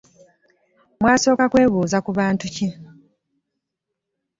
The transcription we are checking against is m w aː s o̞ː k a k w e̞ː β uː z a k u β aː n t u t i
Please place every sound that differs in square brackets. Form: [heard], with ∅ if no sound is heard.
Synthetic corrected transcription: m w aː s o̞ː k a k w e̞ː β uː z a k u β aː n t u [c] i